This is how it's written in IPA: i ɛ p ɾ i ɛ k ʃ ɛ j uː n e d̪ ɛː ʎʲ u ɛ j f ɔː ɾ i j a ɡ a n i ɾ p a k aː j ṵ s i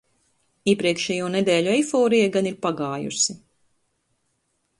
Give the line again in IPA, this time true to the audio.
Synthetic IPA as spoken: i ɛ p ɾ i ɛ k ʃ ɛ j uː n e d̪ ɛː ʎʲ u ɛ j f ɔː ɾ i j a ɡ a n i ɾ p a ɡ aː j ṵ s i